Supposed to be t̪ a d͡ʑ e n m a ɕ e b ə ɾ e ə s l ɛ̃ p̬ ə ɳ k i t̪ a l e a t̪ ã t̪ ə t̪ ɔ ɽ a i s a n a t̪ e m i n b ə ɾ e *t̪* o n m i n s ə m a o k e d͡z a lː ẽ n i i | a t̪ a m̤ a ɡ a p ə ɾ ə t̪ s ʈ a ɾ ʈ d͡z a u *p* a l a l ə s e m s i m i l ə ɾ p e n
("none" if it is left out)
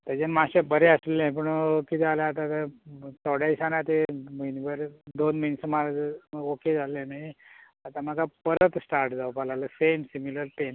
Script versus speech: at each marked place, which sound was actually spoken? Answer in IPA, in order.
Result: d̪, p

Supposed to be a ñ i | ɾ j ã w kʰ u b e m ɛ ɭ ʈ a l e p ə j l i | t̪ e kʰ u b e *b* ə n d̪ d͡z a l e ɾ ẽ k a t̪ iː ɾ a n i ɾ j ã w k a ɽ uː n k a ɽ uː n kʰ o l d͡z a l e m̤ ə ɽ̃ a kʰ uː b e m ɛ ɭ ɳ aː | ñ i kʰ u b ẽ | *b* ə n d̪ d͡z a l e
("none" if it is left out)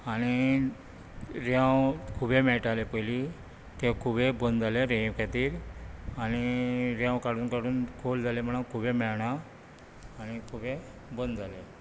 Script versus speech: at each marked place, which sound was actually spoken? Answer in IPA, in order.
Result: b, b

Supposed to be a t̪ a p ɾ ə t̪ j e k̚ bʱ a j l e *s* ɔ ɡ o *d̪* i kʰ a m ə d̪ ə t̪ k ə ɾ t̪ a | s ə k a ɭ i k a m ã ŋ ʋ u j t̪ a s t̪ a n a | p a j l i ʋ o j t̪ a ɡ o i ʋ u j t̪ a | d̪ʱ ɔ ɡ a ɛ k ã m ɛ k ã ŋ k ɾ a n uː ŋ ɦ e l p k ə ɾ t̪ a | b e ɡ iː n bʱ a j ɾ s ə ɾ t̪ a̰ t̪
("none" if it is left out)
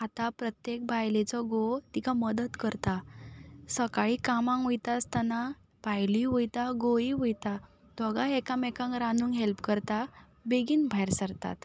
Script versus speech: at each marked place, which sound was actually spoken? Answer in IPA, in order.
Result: t͡s, t̪

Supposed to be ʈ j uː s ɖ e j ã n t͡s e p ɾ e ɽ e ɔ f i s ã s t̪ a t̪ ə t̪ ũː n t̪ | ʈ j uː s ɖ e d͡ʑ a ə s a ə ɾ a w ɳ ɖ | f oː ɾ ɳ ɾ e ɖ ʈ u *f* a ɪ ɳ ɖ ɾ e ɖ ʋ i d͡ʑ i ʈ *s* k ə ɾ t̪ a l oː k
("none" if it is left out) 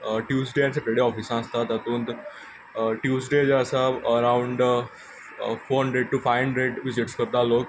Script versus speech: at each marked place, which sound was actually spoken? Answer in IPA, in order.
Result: f, s

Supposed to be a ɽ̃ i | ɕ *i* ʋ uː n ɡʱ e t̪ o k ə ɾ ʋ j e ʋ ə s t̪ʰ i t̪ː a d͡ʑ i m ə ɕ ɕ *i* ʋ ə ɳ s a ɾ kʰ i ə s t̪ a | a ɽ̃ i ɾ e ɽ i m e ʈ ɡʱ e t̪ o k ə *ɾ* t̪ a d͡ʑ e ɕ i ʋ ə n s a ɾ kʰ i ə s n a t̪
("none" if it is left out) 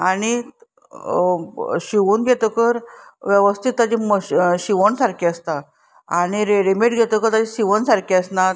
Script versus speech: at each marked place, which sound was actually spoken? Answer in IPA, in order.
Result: i, i, ɾ

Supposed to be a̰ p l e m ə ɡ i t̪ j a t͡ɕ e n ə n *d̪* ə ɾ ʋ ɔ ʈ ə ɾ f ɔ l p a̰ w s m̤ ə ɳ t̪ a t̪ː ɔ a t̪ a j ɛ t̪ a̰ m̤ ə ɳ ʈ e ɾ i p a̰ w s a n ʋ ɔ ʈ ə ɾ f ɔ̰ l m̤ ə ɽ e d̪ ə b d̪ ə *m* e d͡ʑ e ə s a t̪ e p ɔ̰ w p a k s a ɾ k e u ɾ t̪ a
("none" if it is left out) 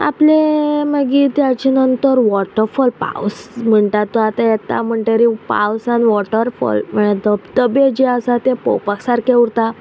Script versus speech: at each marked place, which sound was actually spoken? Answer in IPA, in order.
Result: t̪, b

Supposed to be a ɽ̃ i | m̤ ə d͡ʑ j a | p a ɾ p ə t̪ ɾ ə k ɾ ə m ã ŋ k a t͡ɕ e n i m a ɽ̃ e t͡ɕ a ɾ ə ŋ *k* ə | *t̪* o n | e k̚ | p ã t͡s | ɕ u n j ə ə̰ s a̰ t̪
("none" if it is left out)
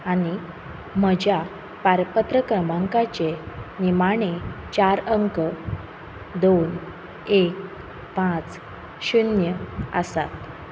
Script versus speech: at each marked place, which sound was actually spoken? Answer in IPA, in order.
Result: k, d̪

